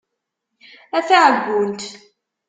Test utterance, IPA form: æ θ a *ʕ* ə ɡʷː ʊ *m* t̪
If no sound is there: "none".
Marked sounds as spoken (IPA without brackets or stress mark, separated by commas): ʕ, n